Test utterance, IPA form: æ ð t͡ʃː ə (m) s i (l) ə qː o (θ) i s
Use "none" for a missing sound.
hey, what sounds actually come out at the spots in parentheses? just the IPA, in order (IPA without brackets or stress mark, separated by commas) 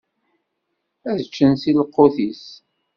n, l, θ